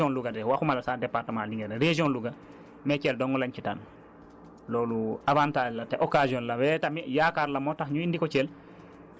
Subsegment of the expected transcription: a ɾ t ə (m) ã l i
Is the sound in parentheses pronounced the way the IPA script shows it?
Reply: yes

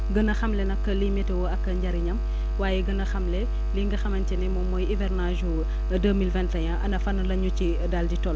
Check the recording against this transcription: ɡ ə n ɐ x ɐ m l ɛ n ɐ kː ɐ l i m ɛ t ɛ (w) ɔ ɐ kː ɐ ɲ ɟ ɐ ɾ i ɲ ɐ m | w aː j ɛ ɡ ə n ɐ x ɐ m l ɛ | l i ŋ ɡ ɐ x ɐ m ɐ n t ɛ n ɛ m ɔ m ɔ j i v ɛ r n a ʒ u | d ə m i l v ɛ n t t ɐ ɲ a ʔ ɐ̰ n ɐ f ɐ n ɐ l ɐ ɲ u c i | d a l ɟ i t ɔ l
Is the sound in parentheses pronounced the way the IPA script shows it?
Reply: yes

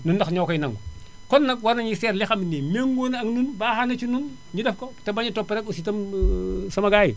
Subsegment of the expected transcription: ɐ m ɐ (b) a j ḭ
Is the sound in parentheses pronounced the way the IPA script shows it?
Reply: no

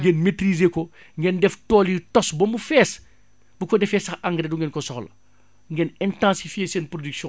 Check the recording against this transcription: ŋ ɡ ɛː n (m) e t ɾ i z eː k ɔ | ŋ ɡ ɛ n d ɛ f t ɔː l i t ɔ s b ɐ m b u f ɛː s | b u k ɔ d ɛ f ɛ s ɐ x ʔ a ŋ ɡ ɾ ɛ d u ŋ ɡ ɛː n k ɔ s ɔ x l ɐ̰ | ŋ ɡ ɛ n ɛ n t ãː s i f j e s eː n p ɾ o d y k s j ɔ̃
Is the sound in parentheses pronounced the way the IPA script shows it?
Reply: yes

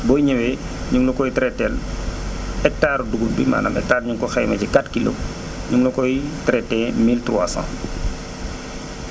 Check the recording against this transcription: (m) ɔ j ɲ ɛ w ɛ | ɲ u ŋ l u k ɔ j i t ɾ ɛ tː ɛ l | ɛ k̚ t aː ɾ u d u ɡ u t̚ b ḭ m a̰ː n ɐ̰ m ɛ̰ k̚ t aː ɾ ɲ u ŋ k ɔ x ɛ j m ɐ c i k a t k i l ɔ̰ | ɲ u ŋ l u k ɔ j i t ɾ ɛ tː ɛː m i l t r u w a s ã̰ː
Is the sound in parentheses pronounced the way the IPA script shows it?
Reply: no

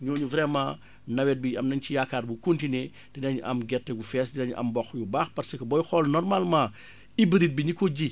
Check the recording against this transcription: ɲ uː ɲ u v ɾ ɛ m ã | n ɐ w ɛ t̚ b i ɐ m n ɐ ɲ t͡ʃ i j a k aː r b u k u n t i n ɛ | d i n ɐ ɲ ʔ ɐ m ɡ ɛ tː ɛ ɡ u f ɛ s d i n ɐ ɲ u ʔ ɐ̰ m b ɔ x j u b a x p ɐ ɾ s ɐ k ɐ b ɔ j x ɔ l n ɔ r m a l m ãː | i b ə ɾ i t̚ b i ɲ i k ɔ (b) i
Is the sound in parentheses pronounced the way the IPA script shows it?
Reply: no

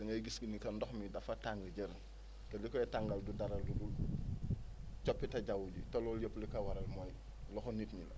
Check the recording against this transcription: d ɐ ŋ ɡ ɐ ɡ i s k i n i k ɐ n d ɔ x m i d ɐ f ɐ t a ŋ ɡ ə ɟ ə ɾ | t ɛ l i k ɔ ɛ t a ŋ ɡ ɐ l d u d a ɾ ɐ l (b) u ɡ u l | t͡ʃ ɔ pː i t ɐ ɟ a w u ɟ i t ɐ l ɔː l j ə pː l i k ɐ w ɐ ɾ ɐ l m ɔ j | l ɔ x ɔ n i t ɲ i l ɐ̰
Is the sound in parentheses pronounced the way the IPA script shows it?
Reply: no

